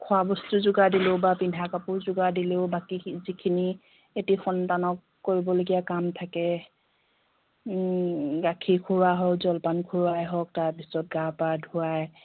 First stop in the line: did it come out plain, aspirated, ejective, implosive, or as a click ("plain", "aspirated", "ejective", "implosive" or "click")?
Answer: aspirated